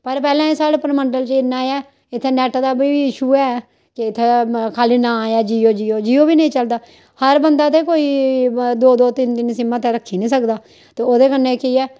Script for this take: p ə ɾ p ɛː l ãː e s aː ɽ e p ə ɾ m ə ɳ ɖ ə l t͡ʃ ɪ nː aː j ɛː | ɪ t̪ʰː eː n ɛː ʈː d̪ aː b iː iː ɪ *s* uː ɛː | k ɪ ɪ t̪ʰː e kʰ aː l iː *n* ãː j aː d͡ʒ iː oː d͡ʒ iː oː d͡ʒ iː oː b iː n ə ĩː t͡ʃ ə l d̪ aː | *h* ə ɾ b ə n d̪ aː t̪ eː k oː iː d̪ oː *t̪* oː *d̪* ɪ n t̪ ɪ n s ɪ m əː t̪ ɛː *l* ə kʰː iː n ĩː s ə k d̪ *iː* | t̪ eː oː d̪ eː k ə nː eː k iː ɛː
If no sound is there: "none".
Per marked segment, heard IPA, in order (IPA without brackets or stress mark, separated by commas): ʃ, n, h, d̪, t̪, ɾ, aː